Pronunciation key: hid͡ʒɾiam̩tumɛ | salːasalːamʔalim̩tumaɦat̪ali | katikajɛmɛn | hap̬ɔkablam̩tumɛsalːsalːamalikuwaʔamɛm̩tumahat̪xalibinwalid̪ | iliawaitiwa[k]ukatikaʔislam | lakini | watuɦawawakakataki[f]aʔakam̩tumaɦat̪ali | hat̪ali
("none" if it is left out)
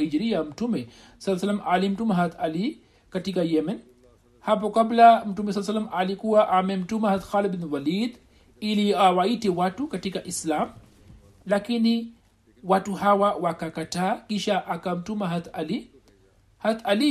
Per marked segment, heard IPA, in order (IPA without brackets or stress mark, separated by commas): t, ʃ